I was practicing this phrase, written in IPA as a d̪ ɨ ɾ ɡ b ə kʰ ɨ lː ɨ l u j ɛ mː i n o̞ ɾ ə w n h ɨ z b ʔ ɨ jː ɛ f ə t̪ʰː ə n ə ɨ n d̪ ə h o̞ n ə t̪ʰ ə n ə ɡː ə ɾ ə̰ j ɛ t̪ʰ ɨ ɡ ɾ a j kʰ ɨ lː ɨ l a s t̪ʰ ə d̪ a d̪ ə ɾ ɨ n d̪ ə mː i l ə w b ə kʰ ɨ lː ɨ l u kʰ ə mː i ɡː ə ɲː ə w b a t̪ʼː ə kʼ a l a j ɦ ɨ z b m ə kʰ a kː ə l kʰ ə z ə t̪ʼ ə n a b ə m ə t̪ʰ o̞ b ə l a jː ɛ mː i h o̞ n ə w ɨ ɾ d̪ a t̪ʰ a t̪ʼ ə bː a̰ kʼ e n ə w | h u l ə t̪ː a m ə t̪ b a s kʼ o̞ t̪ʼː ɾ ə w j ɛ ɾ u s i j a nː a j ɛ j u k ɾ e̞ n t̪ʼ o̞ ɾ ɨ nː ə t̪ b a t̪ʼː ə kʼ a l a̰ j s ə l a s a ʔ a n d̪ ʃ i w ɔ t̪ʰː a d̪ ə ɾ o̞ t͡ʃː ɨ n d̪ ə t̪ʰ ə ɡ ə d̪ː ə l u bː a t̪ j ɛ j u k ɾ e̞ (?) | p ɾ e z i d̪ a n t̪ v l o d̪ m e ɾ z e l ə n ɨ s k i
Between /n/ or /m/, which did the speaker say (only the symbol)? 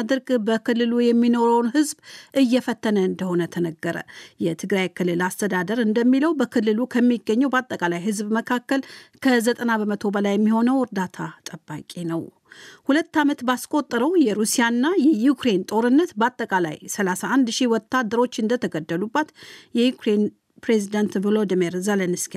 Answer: n